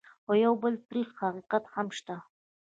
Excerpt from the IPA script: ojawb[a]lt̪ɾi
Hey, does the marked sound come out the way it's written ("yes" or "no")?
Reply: no